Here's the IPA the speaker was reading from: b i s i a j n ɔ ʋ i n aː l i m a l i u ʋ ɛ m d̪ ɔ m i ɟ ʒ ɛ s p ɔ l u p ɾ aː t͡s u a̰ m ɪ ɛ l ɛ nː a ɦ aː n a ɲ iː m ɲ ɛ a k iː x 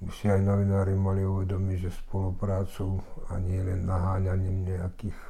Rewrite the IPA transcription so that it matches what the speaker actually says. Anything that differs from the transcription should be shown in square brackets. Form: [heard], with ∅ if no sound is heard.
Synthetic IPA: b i s i a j n ɔ ʋ i n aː [ɾ] i m a l i u ʋ ɛ [∅] d̪ ɔ m i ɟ ʒ ɛ s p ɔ l u p ɾ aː t͡s u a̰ [ɲ] ɪ ɛ l ɛ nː a ɦ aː [ɲ] a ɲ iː m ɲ ɛ a k iː x